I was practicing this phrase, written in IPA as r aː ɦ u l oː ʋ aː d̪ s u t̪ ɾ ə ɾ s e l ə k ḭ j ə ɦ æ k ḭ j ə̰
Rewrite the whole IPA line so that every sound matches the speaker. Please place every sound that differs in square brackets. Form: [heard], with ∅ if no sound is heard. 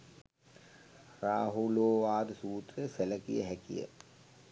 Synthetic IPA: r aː ɦ u l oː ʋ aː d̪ s [uː] t̪ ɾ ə [∅] s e l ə k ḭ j ə ɦ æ k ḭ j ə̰